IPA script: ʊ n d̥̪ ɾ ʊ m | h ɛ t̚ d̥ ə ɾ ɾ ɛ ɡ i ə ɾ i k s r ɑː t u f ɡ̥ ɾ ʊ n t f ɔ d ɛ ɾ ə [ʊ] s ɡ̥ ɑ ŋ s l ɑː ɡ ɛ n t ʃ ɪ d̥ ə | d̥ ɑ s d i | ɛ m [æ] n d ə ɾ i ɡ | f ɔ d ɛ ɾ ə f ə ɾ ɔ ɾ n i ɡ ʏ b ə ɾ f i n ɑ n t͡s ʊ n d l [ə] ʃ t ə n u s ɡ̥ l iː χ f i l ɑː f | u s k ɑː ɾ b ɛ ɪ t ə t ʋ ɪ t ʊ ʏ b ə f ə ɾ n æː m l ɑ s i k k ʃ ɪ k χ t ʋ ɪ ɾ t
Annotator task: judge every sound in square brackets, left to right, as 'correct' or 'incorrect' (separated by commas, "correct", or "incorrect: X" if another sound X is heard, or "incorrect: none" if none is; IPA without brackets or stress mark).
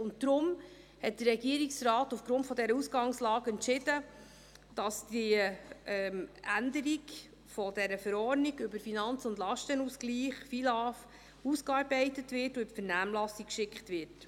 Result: incorrect: u, correct, incorrect: ɑ